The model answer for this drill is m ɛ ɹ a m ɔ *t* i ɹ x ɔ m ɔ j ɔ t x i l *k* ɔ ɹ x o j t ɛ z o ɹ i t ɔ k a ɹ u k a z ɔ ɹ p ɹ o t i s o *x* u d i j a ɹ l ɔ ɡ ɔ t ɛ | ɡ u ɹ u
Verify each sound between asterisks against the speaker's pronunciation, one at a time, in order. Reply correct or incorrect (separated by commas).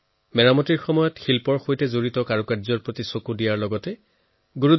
correct, incorrect, incorrect